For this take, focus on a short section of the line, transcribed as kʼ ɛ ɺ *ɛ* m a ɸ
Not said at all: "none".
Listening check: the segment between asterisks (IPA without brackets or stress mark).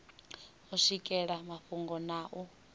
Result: a